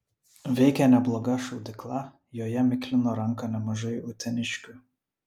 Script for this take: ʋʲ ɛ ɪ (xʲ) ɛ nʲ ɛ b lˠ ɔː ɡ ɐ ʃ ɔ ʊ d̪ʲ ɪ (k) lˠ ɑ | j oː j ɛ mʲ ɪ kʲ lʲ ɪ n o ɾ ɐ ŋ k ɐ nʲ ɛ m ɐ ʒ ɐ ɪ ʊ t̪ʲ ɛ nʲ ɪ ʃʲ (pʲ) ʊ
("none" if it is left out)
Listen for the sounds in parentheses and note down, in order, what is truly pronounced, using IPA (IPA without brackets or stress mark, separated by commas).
kʲ, k, kʲ